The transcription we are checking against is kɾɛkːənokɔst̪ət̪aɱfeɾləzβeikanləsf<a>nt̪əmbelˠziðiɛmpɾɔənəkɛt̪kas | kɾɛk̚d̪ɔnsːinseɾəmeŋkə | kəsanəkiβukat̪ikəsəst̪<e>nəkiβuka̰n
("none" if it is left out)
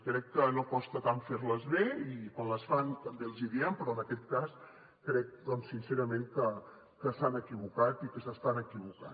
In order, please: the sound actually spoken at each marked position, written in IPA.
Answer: a, a

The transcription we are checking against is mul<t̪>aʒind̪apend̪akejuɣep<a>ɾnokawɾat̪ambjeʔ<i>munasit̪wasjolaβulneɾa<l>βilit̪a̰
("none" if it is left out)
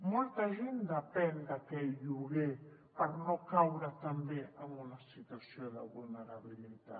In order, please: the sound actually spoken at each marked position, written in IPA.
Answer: t̪, a, a, none

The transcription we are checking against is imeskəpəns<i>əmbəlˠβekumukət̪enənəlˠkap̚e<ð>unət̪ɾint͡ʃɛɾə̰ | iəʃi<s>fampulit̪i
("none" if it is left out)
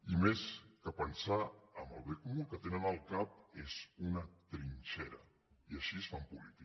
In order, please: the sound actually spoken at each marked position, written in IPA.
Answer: a, z, s

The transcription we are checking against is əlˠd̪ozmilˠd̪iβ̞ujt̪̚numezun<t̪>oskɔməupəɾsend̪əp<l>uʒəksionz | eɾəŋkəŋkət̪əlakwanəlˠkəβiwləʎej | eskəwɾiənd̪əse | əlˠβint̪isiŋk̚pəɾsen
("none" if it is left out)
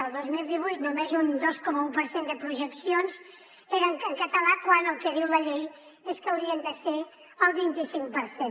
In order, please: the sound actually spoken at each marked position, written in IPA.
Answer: d̪, ɾ

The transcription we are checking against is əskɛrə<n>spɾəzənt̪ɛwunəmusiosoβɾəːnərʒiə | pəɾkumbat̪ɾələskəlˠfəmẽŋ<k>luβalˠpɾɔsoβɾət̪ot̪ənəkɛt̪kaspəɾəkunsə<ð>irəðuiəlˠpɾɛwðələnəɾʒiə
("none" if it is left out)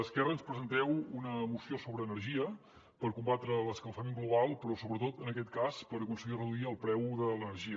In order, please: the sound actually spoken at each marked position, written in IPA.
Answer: n, ɡ, ɣ

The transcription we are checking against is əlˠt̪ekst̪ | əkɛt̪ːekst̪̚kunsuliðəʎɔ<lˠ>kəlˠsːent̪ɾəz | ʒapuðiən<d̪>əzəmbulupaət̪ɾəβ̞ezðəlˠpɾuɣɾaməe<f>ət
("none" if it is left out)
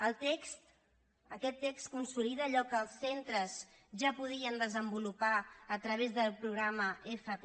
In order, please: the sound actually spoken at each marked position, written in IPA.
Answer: none, d̪, f

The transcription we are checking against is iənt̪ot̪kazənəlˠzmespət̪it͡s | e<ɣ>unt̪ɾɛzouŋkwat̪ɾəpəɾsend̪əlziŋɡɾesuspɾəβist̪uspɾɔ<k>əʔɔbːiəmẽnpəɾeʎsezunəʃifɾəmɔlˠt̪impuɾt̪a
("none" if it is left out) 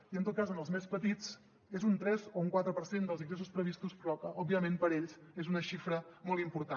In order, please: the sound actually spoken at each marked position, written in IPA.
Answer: z, k

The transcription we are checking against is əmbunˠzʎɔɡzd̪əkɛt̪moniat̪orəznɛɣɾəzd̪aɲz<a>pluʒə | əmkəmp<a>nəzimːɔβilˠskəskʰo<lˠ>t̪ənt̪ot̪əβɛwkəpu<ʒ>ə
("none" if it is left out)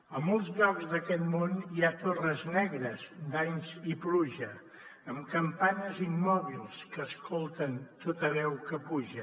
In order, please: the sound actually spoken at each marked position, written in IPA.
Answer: i, a, lˠ, ʒ

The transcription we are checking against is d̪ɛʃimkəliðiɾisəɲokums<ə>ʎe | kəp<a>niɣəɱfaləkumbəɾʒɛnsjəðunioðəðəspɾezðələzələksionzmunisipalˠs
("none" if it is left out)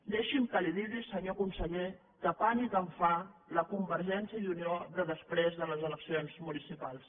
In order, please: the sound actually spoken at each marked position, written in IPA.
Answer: ə, a

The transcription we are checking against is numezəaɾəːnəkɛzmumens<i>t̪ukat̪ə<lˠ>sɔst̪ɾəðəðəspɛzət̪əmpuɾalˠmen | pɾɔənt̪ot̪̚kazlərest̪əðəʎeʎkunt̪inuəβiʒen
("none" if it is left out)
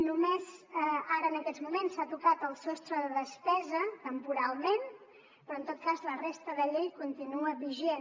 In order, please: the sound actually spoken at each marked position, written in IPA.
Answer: a, lˠ

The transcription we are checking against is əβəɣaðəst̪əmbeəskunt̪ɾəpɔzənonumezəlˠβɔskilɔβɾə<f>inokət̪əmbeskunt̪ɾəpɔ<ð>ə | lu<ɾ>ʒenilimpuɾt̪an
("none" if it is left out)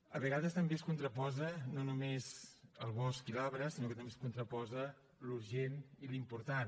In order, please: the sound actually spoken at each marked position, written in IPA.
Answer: s, z, ɾ

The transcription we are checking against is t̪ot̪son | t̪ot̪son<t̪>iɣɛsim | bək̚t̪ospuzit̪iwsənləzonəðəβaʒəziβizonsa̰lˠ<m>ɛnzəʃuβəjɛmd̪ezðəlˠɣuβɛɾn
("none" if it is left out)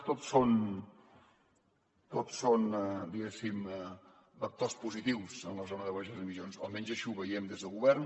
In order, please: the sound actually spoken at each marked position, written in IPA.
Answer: d̪, m

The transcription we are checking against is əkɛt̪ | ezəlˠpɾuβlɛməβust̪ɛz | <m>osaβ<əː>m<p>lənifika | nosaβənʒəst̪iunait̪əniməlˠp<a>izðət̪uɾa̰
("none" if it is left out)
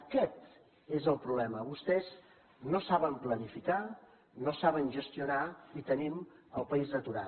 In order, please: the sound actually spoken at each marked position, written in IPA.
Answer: n, ə, p, ə

